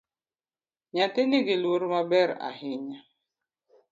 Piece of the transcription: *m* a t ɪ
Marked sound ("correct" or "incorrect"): incorrect